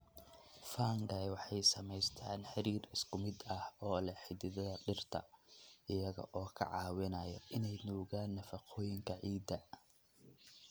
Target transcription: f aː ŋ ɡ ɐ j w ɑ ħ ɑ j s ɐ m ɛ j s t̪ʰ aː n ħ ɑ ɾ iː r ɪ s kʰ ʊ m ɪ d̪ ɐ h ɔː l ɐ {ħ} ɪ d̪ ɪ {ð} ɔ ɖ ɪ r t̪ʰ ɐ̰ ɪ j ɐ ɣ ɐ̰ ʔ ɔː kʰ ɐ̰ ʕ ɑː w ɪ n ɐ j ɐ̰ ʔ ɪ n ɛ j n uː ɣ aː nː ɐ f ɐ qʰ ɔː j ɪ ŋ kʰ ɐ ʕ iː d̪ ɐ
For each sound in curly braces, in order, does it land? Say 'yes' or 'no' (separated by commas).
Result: yes, yes